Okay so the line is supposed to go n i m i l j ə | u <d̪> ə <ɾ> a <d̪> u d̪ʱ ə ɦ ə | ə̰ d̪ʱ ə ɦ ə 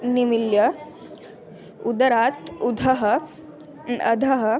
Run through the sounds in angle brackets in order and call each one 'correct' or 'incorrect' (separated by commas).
correct, correct, incorrect